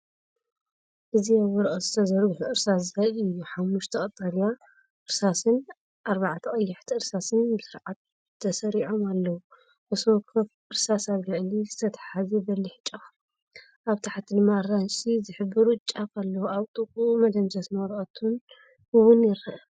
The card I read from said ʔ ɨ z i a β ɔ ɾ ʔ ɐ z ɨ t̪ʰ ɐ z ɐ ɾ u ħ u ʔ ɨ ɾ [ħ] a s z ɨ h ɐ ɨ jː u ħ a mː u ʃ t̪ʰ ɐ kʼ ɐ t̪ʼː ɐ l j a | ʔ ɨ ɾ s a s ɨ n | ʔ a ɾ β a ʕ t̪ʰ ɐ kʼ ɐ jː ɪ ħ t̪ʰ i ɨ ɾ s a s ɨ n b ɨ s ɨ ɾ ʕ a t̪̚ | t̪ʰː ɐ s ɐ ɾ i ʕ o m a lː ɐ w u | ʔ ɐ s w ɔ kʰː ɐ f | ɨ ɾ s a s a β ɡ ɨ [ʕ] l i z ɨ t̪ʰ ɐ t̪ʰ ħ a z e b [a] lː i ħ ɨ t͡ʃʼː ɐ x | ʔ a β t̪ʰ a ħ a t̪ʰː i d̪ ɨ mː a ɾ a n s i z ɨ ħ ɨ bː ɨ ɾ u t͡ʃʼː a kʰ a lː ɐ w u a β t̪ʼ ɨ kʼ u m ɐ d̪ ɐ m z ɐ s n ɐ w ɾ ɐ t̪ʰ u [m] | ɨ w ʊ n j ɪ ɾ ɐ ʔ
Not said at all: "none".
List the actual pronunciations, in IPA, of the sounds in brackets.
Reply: s, ʕ, ɐ, n

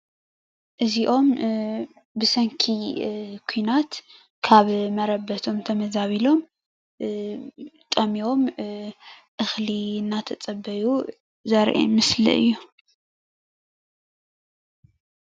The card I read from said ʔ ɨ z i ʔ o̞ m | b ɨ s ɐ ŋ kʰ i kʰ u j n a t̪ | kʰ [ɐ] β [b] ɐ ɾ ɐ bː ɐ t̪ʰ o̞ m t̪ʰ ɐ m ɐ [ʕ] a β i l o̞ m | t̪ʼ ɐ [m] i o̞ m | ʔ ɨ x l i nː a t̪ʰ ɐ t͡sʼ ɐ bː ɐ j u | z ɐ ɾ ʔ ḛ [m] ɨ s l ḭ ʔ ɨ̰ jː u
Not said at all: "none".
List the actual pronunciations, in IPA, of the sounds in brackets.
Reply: a, m, z, m, m

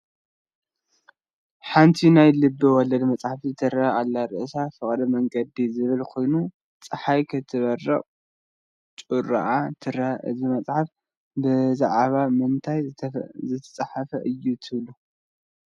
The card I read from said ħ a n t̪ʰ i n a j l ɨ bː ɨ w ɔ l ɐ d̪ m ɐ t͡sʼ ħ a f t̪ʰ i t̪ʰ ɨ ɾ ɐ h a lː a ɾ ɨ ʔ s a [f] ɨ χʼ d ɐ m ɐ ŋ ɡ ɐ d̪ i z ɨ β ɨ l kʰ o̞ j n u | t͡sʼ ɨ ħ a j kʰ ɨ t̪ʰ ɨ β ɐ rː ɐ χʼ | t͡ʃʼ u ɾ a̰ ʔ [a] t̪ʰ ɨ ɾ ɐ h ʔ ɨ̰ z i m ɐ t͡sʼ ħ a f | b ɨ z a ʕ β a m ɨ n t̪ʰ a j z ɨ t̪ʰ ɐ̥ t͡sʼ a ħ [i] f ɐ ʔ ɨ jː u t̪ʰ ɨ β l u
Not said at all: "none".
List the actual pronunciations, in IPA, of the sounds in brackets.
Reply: f, a, a

